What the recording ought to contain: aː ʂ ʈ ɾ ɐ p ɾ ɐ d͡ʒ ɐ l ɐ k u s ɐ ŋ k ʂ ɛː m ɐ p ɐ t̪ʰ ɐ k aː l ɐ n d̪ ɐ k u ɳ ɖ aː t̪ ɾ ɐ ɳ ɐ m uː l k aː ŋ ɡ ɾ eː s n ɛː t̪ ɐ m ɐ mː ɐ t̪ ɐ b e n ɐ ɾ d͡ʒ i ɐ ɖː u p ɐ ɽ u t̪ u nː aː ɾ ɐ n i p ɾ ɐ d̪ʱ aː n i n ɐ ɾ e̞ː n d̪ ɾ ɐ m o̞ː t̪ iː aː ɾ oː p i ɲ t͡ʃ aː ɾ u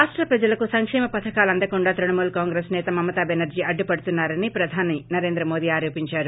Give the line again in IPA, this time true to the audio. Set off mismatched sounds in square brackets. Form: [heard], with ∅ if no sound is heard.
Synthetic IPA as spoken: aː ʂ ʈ ɾ ɐ p ɾ ɐ d͡ʒ ɐ l ɐ k u s ɐ ŋ k ʂ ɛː m ɐ p ɐ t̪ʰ ɐ k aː l ɐ n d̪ ɐ k u ɳ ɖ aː t̪ ɾ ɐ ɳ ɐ m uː l k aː ŋ ɡ ɾ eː s n ɛː t̪ ɐ m ɐ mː ɐ t̪ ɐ b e n ɐ ɾ d͡ʒ i ɐ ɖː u p ɐ ɽ u t̪ u nː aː ɾ ɐ n i p ɾ ɐ d̪ʱ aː n i n ɐ ɾ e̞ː n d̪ ɾ ɐ m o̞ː [d̪] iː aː ɾ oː p i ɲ t͡ʃ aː ɾ u